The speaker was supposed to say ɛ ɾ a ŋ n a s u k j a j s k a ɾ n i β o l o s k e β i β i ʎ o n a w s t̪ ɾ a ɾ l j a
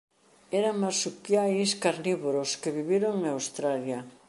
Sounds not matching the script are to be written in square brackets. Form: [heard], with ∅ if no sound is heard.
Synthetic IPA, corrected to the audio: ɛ ɾ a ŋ [m] a s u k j a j s k a ɾ n i β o [ɾ] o s k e β i β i [ɾ] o [ŋ] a w s t̪ ɾ a [∅] l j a